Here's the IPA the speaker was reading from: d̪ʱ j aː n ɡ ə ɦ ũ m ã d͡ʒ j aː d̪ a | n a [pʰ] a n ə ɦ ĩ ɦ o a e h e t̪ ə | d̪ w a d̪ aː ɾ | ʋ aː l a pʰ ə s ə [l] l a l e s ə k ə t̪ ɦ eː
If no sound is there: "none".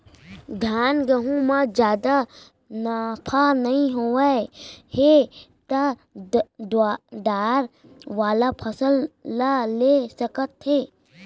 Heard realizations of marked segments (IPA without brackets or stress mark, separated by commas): pʰ, l